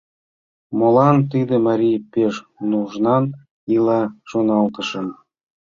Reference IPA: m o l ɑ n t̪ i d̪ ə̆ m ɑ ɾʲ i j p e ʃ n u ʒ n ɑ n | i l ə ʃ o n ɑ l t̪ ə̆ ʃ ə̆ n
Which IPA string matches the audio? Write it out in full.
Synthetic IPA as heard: m o l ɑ n t̪ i d̪ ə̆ m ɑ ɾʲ i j p e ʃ n u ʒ n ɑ n | i l ɑ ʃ o n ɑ l t̪ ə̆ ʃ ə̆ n